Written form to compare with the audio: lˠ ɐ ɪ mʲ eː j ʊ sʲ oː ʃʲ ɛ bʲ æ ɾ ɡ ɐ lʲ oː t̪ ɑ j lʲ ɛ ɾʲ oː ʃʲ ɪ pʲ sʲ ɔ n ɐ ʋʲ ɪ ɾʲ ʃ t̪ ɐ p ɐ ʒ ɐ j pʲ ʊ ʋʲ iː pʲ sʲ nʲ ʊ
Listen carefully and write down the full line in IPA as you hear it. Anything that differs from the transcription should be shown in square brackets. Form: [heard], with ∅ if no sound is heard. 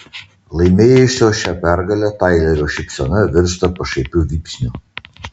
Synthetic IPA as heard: lˠ ɐ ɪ mʲ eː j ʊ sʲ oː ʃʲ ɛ [pʲ] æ ɾ ɡ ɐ lʲ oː t̪ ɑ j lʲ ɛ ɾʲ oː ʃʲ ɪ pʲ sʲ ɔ n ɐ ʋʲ ɪ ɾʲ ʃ t̪ ɐ p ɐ [ʃ] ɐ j pʲ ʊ ʋʲ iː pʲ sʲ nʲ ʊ